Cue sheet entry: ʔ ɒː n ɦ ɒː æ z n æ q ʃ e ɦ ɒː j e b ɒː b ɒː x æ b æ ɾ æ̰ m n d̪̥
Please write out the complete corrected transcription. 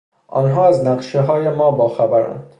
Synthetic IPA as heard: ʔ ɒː n ɦ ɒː æ z n æ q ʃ e ɦ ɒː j e m ɒː b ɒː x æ b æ ɾ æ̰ n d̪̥

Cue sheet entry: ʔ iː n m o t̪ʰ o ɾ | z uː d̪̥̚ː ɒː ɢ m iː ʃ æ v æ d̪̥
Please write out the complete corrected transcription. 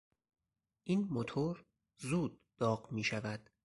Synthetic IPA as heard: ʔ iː n m o t̪ʰ o ɾ | z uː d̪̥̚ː ɒː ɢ m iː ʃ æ v æ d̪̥

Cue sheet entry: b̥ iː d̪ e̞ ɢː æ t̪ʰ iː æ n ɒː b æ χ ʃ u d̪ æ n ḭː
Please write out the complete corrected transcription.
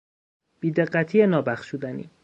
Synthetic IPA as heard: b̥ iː d̪ e̞ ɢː æ t̪ʰ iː e n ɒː b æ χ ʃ u d̪ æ n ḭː

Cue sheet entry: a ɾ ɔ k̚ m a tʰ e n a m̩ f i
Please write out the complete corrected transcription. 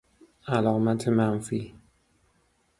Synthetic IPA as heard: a l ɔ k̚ m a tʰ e m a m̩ f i

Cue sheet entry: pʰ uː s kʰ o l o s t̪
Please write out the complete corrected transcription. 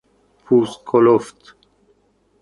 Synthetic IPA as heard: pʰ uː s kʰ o l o f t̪

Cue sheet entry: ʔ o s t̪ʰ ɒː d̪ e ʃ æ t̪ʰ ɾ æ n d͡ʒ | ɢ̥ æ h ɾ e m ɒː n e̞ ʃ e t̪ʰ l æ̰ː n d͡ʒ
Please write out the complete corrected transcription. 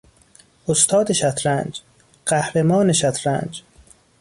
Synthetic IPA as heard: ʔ o s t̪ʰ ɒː d̪ e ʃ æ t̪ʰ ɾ æ n d͡ʒ | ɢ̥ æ h ɾ e m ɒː n e̞ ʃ æ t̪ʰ ɾ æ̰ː n d͡ʒ

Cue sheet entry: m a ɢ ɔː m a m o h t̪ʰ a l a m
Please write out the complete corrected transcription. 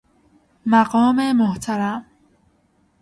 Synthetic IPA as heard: m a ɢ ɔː m e m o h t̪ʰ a ɾ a m

